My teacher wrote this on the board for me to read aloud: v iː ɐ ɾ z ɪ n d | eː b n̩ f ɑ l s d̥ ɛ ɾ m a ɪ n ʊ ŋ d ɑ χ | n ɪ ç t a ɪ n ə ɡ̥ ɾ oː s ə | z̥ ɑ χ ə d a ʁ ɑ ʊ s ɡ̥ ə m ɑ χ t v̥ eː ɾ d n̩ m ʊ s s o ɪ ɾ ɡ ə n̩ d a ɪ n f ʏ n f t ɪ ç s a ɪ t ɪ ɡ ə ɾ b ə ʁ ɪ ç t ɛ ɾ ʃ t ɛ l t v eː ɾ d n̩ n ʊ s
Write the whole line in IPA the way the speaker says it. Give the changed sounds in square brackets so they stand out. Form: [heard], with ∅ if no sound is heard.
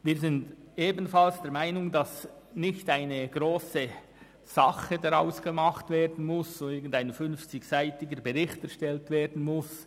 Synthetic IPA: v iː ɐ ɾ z ɪ n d | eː b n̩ f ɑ l s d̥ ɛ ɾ m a ɪ n ʊ ŋ d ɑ [s] | n ɪ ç t a ɪ n ə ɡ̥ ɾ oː s ə | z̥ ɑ χ ə d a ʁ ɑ ʊ s ɡ̥ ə m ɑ χ t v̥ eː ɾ d n̩ m ʊ s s o ɪ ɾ ɡ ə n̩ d a ɪ n f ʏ n f [t͡s] ɪ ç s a ɪ t ɪ ɡ ə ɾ b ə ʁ ɪ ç t ɛ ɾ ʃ t ɛ l t v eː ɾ d n̩ [m] ʊ s